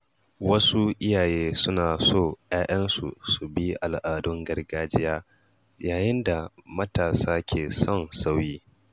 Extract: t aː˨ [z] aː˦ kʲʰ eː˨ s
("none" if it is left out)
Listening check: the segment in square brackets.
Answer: s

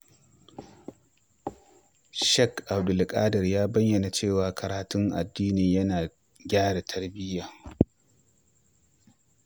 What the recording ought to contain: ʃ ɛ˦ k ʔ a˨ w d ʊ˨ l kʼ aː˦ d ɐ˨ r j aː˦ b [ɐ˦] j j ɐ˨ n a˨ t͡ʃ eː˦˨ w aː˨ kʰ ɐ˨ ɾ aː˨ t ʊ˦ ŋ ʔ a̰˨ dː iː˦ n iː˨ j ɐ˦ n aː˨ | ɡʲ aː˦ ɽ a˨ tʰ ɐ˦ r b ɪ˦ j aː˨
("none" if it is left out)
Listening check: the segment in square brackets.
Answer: ɐ˦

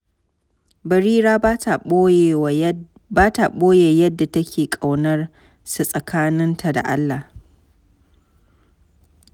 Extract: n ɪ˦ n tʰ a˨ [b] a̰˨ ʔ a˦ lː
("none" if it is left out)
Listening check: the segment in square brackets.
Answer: d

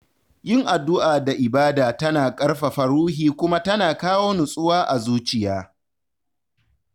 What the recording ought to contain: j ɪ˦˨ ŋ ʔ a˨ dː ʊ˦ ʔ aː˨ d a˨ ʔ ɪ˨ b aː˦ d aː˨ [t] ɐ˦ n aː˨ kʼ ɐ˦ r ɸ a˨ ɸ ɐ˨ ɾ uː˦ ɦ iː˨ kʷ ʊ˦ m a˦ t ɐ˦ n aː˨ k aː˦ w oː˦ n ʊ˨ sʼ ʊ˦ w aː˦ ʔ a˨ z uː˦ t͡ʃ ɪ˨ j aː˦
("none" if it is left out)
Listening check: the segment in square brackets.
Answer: t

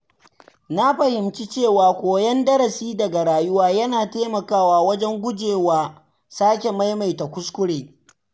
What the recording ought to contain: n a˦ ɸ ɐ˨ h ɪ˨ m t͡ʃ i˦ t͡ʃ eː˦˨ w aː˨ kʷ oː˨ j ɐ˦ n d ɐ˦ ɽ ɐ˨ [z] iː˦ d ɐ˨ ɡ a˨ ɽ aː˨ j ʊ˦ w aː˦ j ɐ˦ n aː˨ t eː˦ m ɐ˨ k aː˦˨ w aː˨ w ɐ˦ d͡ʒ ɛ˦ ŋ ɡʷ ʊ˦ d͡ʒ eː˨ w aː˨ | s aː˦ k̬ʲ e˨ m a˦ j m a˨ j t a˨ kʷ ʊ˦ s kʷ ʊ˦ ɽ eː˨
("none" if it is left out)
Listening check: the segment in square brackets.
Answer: s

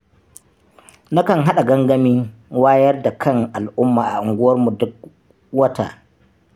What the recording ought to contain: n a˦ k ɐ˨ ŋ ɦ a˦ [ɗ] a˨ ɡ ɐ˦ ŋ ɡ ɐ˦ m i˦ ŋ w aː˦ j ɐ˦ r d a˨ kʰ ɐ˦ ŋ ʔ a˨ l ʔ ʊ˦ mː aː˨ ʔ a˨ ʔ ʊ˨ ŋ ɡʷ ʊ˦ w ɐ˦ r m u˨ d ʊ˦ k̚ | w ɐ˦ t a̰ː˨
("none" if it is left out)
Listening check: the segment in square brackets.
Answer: ɗ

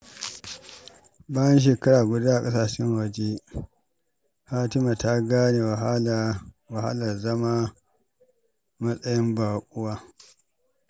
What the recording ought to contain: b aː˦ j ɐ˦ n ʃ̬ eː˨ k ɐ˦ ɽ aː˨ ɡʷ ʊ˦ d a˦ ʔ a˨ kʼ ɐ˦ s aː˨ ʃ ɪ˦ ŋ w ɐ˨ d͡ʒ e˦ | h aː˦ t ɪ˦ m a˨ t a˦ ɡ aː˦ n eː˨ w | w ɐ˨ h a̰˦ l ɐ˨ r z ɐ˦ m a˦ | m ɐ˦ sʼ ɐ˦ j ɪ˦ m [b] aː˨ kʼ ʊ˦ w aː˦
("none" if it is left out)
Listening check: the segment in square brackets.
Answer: b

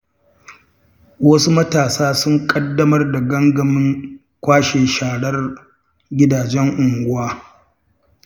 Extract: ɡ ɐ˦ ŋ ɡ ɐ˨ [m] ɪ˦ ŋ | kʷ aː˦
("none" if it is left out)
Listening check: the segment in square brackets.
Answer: m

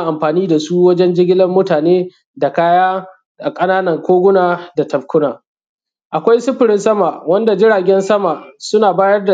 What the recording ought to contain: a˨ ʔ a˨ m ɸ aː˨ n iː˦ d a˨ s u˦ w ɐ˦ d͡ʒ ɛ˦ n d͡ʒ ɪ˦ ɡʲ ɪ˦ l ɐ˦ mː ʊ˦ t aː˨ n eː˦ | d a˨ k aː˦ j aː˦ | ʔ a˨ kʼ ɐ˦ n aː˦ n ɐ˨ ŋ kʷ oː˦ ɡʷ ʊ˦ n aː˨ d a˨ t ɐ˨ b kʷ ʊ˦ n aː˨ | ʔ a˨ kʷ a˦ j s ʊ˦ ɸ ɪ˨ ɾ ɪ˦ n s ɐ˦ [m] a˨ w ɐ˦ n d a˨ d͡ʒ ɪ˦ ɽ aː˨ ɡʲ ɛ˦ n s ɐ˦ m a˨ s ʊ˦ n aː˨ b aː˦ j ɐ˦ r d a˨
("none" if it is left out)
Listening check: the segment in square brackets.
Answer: m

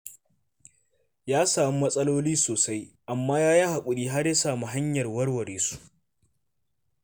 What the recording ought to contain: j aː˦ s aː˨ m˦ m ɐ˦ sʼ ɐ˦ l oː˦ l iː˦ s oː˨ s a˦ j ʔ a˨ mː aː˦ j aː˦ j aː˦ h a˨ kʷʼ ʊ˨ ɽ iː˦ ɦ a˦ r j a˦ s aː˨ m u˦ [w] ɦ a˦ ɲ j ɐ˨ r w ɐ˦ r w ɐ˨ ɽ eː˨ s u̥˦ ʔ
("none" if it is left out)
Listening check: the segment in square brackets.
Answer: none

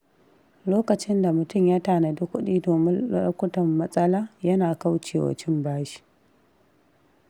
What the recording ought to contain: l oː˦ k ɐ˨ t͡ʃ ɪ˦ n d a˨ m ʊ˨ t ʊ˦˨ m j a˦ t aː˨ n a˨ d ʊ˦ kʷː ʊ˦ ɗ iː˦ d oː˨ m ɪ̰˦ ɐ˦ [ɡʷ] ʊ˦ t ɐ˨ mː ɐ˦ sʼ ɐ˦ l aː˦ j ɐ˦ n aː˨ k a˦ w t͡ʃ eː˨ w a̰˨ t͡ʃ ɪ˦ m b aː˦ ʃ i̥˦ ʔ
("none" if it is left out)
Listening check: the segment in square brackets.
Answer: kʷ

